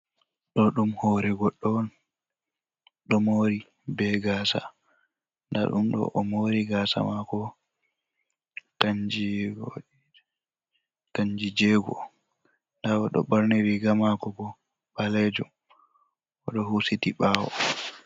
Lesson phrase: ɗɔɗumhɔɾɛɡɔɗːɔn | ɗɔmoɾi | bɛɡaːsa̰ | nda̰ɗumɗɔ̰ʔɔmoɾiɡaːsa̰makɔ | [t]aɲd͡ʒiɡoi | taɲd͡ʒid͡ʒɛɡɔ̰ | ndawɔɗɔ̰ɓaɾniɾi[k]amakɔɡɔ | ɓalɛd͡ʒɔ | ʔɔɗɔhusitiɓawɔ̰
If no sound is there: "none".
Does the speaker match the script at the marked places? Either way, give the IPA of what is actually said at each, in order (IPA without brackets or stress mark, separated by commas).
t, ɡ